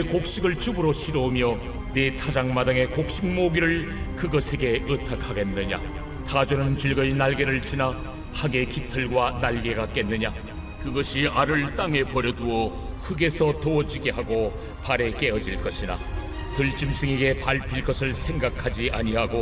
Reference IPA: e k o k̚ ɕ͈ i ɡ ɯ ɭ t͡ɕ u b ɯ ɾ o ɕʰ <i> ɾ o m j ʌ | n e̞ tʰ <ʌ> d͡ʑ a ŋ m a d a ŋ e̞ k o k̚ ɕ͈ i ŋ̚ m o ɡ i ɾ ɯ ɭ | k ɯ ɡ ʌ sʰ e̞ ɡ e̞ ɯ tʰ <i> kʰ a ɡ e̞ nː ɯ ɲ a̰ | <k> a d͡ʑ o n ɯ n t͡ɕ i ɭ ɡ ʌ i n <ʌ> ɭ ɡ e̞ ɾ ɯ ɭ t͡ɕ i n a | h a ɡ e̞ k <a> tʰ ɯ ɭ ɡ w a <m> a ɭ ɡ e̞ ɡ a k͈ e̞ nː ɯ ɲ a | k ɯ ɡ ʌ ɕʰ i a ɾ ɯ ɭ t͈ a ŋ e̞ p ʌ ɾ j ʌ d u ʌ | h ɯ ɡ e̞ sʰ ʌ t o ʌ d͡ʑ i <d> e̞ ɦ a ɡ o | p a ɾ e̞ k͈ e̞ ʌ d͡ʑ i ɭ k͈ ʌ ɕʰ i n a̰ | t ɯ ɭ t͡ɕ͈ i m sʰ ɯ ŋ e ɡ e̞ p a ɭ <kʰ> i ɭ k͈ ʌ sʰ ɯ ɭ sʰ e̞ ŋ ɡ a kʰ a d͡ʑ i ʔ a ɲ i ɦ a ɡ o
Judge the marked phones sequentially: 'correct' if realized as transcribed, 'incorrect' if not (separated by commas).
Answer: correct, incorrect, incorrect, incorrect, incorrect, incorrect, incorrect, incorrect, incorrect